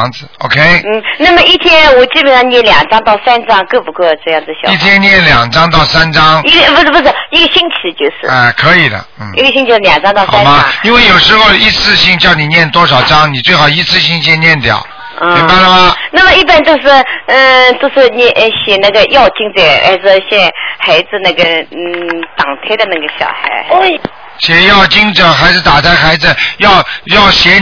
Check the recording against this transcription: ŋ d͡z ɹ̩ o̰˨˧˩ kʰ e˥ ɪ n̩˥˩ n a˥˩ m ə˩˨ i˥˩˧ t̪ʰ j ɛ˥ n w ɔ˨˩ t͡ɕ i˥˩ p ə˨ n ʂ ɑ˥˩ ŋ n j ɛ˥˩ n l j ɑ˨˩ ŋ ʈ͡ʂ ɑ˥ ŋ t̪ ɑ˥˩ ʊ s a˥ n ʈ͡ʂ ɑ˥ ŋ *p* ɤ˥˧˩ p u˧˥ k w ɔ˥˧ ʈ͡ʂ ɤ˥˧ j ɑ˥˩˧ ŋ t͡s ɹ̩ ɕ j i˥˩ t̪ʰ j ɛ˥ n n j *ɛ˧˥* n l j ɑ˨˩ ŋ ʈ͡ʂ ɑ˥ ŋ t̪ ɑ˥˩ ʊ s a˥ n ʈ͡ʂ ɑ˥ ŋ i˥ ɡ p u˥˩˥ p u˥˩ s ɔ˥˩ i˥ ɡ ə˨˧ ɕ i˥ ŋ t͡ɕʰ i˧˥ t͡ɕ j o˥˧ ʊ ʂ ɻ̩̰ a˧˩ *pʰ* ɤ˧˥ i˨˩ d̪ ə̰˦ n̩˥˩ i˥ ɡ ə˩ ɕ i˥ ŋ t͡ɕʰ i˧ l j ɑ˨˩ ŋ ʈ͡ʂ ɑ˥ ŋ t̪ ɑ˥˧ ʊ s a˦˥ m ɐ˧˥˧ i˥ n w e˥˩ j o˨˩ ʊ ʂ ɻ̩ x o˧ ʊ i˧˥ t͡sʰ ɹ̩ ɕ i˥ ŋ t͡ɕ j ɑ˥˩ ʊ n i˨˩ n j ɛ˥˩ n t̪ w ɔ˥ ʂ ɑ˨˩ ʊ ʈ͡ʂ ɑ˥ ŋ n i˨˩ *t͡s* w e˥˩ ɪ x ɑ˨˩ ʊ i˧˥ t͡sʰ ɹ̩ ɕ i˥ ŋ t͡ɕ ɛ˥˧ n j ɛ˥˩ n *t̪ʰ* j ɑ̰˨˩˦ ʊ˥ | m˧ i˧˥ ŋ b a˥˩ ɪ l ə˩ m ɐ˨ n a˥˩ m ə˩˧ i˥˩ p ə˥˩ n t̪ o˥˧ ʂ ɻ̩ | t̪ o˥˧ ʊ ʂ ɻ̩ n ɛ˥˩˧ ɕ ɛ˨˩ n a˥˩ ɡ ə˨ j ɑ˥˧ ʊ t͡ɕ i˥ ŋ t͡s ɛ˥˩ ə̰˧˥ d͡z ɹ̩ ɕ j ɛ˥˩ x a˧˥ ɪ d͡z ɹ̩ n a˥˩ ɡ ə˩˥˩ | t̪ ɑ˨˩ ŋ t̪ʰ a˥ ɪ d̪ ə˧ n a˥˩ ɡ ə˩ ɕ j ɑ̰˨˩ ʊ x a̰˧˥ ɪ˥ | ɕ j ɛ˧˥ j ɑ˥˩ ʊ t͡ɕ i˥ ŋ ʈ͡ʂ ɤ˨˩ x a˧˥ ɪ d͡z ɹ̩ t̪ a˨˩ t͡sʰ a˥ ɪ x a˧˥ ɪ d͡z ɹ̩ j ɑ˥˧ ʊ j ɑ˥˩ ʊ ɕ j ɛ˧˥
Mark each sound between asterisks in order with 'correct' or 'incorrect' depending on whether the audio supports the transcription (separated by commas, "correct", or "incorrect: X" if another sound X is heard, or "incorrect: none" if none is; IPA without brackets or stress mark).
incorrect: k, incorrect: ɛ˥˩, incorrect: kʰ, correct, incorrect: t̪